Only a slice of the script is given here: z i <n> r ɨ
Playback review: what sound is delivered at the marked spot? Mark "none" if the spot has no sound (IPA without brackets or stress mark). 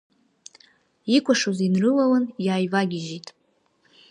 n